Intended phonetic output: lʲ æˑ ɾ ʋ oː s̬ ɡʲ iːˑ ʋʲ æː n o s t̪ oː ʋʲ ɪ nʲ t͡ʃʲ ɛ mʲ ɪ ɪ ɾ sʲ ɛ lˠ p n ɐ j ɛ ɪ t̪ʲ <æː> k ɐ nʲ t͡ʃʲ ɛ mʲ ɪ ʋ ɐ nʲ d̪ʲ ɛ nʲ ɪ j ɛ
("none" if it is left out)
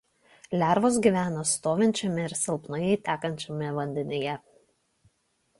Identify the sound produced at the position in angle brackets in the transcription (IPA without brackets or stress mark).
æː